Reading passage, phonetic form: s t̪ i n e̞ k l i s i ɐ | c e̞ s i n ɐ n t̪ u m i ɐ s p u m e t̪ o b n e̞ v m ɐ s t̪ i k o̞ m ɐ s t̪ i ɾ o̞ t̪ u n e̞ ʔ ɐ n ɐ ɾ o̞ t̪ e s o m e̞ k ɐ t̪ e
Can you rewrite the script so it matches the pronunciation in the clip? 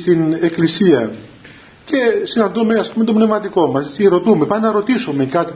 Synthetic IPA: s t̪ i n e̞ k l i s i ɐ | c e̞ s i n ɐ n d̪ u m e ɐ s p u m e t̪ o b n e̞ v m ɐ t̪ i k o̞ m ɐ s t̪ i ɾ o̞ t̪ u m e̞ p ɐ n ɐ ɾ o̞ t̪ i s o m e̞ k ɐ t̪ i